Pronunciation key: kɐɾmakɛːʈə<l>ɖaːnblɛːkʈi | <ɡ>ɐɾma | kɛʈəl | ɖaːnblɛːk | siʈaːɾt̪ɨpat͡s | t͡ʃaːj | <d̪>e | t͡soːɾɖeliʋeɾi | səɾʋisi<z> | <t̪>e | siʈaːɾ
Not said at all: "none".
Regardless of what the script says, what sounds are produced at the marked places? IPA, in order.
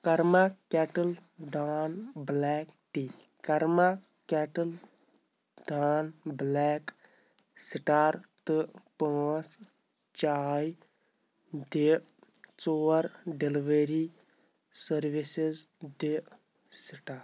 l, k, d̪, z, d̪

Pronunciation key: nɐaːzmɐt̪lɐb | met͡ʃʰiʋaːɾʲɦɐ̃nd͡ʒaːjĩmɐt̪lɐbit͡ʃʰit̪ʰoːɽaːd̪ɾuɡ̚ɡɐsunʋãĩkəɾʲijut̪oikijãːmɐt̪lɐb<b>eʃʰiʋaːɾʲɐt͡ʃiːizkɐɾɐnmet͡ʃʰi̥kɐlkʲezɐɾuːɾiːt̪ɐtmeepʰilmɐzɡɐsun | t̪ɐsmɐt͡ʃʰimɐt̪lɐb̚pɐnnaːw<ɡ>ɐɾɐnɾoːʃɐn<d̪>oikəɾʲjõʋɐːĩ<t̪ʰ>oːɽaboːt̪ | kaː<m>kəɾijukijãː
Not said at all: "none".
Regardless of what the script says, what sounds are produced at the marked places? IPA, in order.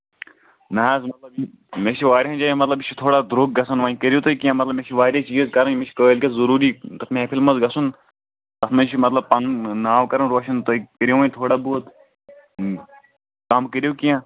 m, k, t̪, t̪ʰ, m

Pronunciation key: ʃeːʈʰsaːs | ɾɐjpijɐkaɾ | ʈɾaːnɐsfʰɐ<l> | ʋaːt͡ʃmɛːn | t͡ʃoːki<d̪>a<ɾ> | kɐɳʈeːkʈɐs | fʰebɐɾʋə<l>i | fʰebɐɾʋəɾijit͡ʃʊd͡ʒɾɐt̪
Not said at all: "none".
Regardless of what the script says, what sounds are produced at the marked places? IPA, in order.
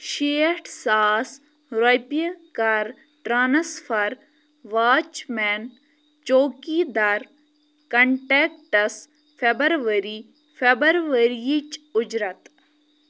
ɾ, d̪, ɾ, ɾ

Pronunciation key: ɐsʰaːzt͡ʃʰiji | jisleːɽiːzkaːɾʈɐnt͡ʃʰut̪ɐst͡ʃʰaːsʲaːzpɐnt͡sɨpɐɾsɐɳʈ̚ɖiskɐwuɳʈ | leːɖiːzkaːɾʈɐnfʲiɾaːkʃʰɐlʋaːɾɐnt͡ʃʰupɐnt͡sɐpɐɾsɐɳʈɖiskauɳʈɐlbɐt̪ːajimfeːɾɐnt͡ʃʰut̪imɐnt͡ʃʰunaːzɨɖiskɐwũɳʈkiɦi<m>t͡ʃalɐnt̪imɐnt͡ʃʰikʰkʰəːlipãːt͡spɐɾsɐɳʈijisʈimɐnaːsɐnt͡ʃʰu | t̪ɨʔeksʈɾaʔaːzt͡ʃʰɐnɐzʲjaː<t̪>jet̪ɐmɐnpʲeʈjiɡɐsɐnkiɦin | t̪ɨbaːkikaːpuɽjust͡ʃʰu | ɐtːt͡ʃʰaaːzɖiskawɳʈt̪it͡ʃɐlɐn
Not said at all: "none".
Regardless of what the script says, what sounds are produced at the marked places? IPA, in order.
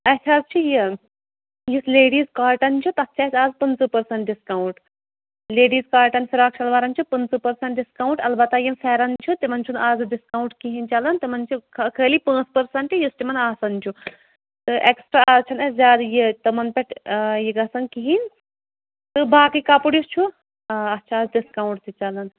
n, d̪

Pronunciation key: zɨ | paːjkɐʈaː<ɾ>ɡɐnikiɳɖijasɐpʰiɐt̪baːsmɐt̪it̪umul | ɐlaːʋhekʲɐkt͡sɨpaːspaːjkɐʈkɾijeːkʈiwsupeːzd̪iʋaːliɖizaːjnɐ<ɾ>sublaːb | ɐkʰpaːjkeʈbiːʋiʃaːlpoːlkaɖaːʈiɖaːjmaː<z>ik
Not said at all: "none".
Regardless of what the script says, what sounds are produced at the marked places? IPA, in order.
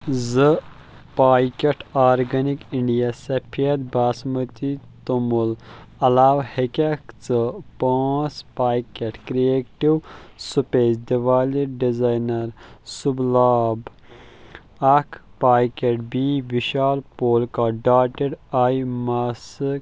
ɾ, ɾ, s

